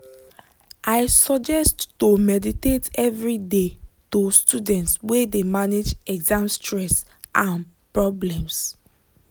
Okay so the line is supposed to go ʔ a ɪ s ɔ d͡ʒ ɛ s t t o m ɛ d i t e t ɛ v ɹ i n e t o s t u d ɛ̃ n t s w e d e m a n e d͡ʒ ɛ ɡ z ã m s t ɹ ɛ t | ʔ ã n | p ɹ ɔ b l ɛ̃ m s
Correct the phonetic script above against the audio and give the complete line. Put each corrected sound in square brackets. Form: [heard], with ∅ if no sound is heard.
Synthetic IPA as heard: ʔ a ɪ s ɔ d͡ʒ ɛ s t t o m ɛ d i t e t ɛ v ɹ i [d] e t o s t u d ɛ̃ n t s w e d e m a n e d͡ʒ ɛ ɡ z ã m s t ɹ ɛ [s] | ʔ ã n | p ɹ ɔ b l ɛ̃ m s